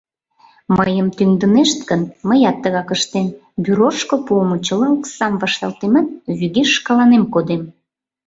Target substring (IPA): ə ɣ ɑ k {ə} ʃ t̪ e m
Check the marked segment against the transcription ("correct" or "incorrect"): correct